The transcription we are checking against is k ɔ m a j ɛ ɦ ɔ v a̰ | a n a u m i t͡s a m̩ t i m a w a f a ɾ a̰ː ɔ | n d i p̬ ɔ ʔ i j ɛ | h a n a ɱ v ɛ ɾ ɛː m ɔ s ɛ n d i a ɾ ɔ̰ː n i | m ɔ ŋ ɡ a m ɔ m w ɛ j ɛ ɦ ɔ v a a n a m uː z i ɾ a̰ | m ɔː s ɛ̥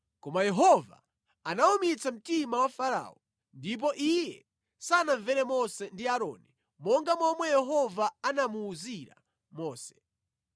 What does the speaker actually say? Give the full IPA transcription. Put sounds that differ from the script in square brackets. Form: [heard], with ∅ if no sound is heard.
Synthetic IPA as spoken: k ɔ m a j ɛ ɦ ɔ v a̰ | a n a u m i t͡s a m̩ t i m a w a f a ɾ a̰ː ɔ | n d i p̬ ɔ ʔ i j ɛ | [s] a n a ɱ v ɛ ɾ [ɛ] m ɔ s ɛ n d i a ɾ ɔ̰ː n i | m ɔ ŋ ɡ a m ɔ m w ɛ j ɛ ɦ ɔ v a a n a m uː z i ɾ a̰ | m ɔː s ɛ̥

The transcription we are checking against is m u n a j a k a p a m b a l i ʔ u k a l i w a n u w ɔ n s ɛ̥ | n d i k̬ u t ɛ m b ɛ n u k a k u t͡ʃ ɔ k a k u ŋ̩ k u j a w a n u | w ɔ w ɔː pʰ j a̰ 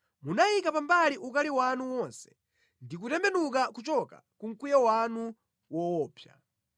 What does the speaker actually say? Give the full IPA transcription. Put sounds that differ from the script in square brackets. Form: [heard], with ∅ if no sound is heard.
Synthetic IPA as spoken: m u n a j [i] k a p a m b a l i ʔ u k a l i w a n u w ɔ n s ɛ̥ | n d i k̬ u t ɛ m b ɛ n u k a k u t͡ʃ ɔ k a k u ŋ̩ k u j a w a n u | w ɔ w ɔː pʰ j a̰

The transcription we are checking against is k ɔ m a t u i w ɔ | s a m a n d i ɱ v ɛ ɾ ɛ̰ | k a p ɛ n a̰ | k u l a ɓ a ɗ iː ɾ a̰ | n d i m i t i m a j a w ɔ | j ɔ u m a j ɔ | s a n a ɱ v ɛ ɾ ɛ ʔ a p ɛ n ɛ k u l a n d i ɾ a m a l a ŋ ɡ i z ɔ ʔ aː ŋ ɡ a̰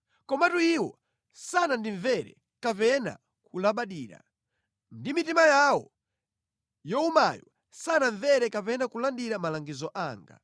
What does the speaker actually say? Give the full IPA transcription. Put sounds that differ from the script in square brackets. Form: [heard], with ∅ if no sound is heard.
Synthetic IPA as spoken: k ɔ m a t u i w ɔ | s a [n] a n d i ɱ v ɛ ɾ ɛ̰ | k a p ɛ n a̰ | k u l a ɓ a ɗ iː ɾ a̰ | n d i m i t i m a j a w ɔ | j ɔ u m a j ɔ | s a n a ɱ v ɛ ɾ ɛ [k] a p ɛ n [a] k u l a n d i ɾ a m a l a ŋ ɡ i z ɔ ʔ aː ŋ ɡ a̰

